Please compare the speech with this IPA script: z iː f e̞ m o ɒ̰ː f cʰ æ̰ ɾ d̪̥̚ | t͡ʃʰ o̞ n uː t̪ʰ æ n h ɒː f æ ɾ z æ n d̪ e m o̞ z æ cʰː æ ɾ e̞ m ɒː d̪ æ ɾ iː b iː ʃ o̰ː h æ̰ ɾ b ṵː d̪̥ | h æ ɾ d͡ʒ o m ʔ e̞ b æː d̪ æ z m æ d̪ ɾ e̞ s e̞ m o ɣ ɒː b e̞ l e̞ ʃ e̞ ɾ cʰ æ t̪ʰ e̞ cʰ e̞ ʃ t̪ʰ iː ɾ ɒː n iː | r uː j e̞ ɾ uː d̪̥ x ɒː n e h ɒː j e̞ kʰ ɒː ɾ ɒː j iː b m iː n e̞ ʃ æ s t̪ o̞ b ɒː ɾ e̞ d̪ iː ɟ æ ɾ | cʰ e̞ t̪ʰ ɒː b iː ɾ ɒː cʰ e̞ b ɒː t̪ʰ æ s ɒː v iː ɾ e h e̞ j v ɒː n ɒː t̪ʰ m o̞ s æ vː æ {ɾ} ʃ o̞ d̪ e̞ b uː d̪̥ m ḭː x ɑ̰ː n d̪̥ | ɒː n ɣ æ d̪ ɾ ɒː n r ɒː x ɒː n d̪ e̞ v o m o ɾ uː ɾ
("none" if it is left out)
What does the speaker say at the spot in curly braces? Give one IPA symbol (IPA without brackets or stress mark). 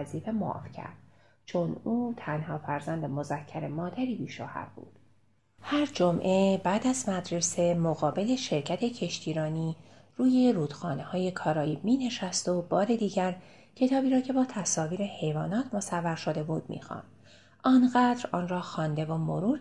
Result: ɾ